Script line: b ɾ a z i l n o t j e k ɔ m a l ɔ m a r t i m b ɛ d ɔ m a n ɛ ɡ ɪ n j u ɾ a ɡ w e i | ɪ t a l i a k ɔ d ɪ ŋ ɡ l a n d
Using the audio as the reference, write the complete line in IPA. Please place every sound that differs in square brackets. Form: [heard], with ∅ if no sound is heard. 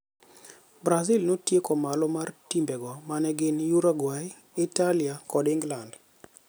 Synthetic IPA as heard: b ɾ a z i l n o t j e k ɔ m a l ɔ m a r t i m b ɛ [ɡ] ɔ m a n ɛ ɡ ɪ n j u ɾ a ɡ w [a] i | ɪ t a l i a k ɔ d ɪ ŋ ɡ l a n d